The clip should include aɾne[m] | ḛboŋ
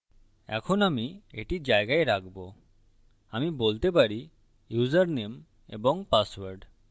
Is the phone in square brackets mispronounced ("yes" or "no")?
no